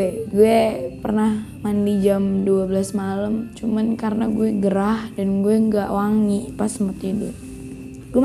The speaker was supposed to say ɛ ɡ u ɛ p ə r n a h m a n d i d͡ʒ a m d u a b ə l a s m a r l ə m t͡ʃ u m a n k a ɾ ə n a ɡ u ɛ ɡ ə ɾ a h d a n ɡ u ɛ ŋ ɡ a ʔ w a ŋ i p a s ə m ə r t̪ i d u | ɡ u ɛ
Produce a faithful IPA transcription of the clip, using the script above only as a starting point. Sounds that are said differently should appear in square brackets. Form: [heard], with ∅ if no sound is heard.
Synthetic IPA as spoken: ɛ ɡ u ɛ p ə r n a h m a n d i d͡ʒ a m d u a b ə l a s m a [∅] l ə m t͡ʃ u m a n k a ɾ ə n a ɡ u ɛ ɡ ə ɾ a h d a n ɡ u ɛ ŋ ɡ a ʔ w a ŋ i p a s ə m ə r t̪ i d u | ɡ u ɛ